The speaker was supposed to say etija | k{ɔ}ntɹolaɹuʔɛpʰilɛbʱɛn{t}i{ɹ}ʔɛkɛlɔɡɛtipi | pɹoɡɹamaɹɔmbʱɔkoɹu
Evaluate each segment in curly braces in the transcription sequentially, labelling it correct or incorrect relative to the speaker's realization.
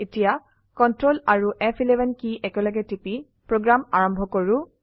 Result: correct, incorrect, incorrect

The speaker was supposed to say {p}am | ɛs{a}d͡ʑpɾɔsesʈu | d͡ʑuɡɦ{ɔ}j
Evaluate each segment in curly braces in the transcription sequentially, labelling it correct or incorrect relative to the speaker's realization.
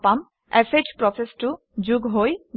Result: correct, incorrect, incorrect

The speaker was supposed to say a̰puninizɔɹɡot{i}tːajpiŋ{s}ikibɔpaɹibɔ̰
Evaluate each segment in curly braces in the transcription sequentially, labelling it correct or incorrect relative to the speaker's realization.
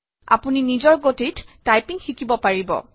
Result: correct, incorrect

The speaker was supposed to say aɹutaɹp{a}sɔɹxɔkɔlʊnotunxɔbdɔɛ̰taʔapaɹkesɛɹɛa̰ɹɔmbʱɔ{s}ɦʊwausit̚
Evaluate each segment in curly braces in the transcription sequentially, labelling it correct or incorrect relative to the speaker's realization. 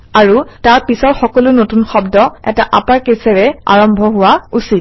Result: incorrect, incorrect

